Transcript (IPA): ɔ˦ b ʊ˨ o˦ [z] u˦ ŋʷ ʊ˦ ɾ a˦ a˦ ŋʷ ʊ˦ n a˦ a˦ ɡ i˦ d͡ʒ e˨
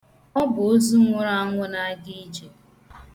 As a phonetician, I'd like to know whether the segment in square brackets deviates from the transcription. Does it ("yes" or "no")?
no